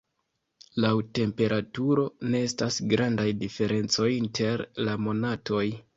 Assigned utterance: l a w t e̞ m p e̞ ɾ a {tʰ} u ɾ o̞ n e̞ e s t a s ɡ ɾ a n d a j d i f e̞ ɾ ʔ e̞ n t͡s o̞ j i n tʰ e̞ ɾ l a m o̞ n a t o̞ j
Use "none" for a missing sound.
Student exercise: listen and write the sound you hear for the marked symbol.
t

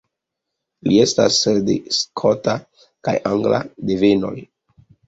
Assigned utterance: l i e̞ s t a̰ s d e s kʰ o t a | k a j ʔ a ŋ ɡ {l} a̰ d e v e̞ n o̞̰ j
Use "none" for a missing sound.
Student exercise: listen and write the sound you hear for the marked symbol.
l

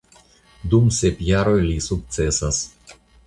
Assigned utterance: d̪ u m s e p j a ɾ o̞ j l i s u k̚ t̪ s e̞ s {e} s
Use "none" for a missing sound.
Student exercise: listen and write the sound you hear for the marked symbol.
a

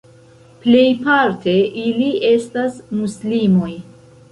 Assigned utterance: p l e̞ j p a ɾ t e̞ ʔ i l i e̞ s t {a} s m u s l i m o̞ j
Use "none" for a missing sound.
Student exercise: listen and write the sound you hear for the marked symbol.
a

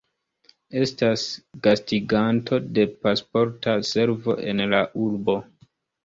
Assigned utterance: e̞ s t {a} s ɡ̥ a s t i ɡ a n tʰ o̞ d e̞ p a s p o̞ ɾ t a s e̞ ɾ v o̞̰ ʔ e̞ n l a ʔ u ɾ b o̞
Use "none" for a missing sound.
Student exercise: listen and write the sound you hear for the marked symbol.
a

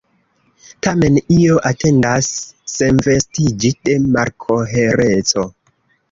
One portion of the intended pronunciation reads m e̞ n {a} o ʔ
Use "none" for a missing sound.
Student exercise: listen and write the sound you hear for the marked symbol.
i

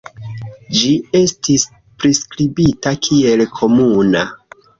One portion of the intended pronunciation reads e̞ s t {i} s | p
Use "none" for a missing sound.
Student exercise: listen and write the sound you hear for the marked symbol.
i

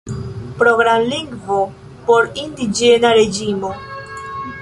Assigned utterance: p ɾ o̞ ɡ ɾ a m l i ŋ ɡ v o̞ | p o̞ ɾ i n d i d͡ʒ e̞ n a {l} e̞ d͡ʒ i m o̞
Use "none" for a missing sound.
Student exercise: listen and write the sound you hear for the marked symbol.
ɾ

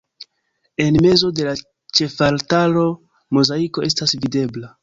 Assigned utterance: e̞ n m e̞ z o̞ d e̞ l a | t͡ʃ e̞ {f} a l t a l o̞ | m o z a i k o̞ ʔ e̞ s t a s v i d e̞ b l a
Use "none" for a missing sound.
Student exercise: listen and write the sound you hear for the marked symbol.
f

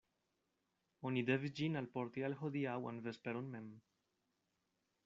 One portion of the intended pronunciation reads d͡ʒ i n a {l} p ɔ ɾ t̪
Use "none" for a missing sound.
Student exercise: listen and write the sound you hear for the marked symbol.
l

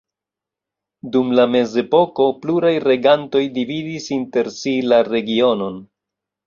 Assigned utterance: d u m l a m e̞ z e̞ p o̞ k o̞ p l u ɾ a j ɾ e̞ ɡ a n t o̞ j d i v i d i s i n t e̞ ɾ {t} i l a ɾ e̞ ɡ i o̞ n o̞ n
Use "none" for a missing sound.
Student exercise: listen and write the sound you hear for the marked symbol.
s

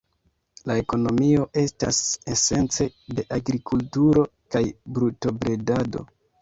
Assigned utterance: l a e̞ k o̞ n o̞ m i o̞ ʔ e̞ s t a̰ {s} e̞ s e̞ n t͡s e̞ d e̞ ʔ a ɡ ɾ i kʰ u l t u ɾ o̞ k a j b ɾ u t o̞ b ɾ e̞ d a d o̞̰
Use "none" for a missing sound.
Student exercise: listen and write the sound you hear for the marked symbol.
s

